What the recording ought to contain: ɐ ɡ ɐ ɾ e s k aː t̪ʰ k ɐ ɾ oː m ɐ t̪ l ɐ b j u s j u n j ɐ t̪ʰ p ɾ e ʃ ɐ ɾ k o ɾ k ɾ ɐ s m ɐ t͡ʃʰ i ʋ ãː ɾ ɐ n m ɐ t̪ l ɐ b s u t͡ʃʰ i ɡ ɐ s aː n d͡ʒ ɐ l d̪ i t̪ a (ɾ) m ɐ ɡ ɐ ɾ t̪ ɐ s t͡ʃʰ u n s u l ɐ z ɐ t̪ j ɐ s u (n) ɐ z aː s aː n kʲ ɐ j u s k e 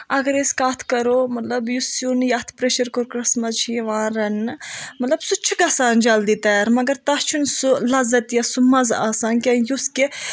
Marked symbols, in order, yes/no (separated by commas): yes, no